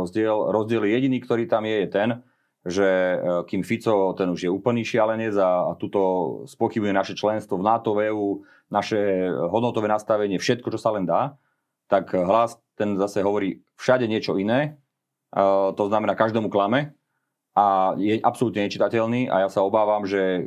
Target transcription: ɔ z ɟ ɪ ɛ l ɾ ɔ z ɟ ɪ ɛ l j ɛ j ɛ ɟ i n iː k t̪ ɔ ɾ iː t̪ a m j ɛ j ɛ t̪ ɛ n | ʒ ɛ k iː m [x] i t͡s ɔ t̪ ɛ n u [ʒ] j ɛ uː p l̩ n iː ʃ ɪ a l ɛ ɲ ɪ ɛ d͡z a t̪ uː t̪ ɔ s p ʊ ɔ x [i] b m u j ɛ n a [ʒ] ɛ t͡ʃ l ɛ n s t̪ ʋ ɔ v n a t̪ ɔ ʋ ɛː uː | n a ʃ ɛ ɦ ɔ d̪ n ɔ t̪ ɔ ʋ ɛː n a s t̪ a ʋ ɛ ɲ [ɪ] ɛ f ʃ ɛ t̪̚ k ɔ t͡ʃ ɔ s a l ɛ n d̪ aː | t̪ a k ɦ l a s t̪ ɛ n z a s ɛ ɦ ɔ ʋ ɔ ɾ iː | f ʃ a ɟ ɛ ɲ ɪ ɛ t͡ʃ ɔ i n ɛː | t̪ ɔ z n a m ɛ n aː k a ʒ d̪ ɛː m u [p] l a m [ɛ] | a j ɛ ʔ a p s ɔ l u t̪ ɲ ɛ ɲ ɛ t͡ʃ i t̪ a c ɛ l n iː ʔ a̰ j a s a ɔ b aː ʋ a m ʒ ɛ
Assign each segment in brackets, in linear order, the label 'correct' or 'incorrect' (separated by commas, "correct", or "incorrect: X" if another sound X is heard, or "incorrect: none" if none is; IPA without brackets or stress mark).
incorrect: f, correct, correct, incorrect: ʃ, correct, incorrect: k, correct